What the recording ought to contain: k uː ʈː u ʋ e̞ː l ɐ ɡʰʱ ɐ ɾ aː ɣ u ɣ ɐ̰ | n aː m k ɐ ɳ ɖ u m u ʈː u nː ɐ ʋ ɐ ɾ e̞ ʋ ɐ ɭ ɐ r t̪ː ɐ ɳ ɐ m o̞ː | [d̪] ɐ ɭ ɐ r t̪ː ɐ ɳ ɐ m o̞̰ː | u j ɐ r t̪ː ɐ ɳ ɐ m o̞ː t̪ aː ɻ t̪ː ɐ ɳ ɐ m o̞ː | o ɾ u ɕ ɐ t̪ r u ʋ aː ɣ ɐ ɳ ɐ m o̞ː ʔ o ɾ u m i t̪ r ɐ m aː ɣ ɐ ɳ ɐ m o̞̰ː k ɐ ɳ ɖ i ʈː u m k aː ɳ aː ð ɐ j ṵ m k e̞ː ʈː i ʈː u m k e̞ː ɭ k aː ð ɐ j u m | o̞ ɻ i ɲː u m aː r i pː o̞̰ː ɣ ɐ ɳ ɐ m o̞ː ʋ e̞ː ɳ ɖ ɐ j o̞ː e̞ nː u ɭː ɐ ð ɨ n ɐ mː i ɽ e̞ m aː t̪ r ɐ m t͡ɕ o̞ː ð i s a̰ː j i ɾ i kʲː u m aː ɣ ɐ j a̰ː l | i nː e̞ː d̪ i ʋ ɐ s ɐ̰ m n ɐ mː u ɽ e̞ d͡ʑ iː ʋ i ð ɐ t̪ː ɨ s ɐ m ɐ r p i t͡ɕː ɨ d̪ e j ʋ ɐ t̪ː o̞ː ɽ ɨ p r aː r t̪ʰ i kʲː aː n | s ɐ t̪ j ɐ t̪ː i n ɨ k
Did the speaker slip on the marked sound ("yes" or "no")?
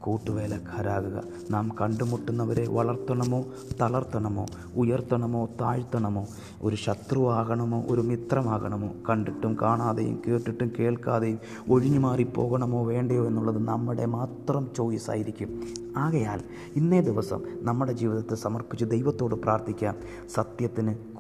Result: yes